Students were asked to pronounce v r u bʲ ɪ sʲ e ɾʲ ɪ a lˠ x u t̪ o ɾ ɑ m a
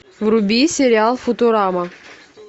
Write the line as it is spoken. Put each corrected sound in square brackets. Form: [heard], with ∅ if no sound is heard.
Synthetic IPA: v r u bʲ [i] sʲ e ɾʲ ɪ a lˠ [f] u t̪ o ɾ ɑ m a